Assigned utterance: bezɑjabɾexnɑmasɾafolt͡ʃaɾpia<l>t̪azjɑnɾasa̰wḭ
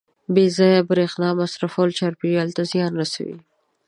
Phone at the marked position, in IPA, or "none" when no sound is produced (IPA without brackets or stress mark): l